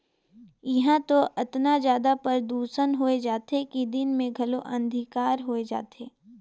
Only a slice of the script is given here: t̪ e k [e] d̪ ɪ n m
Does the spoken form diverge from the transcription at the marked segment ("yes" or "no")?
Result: yes